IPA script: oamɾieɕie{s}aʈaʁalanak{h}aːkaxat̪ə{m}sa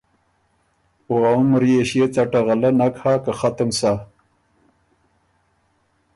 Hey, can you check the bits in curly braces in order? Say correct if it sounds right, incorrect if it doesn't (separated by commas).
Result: incorrect, correct, correct